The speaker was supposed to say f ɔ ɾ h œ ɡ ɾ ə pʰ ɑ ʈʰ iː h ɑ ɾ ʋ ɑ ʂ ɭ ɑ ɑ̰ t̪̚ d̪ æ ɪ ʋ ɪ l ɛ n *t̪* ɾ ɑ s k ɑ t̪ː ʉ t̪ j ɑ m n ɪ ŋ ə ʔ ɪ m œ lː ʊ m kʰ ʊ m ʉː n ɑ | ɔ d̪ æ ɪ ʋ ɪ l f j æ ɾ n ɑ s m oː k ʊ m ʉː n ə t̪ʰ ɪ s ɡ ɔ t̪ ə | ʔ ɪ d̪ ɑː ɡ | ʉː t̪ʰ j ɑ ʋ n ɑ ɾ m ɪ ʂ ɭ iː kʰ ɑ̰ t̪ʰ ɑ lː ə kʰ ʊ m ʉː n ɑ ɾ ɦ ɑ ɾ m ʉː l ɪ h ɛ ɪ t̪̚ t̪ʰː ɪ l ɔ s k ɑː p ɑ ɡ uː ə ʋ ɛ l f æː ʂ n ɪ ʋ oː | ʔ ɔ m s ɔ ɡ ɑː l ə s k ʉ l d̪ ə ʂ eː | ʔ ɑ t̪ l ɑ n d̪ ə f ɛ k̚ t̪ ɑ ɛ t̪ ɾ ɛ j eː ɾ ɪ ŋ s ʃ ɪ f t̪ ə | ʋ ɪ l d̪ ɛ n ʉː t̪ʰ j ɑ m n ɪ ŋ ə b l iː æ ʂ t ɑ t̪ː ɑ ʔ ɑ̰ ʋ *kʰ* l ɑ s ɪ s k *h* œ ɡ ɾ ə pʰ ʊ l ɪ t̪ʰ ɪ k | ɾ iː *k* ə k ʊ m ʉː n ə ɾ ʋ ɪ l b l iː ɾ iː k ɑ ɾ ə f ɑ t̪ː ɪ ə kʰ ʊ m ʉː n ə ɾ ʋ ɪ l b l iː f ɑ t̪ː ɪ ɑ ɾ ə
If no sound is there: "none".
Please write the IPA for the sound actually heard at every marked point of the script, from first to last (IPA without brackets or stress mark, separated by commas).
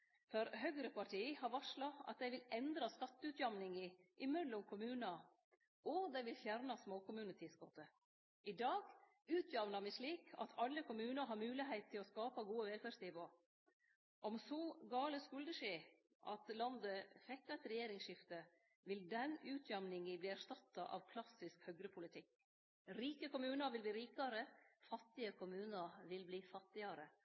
d̪, kʰ, h, k